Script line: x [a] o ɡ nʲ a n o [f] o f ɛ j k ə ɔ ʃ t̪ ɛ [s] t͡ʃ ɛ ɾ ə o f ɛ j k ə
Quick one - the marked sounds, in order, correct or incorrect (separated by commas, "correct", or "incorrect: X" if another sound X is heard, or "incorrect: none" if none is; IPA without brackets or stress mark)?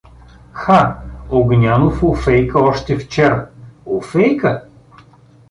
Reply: correct, correct, incorrect: f